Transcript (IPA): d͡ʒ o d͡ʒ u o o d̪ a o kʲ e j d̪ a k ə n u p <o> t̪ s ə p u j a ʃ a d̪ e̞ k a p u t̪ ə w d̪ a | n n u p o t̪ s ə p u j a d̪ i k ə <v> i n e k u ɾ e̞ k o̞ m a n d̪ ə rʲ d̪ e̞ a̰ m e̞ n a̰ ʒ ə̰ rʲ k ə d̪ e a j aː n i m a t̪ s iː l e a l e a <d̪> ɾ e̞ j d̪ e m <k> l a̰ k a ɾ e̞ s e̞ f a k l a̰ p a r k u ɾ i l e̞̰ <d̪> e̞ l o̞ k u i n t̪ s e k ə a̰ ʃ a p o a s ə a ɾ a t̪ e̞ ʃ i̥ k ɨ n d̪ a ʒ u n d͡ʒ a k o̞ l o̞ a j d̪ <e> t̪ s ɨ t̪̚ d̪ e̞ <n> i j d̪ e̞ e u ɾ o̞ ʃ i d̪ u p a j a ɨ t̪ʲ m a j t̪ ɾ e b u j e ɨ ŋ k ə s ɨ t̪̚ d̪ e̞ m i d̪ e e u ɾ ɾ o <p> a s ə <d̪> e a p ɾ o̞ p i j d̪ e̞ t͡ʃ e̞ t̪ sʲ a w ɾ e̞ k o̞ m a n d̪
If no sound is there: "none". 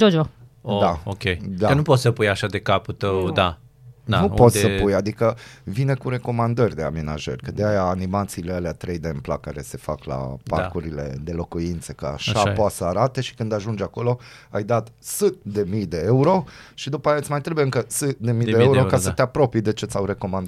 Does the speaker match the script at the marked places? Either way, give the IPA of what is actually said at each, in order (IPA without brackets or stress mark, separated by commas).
o, v, t̪, p, d̪, a, m, k, t̪